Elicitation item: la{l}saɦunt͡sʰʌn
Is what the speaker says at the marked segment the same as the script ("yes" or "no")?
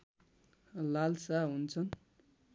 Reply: yes